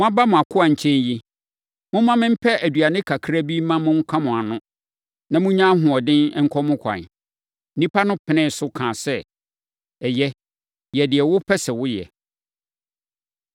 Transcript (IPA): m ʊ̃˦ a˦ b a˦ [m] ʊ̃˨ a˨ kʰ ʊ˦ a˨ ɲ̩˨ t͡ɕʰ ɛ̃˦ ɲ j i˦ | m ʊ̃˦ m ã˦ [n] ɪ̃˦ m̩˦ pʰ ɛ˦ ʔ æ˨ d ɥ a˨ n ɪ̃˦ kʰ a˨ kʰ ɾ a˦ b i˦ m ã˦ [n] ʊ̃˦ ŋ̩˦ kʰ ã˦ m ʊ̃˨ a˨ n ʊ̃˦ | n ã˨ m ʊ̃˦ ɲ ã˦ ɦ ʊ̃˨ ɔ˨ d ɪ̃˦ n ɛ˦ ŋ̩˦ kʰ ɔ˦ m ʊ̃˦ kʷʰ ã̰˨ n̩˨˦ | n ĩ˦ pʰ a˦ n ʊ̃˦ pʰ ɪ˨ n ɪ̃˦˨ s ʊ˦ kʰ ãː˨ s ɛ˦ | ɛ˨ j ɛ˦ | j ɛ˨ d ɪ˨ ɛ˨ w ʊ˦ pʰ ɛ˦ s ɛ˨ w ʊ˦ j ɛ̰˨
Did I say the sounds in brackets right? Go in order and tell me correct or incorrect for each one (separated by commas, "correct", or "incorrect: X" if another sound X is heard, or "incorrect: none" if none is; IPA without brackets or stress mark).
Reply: correct, incorrect: m, incorrect: m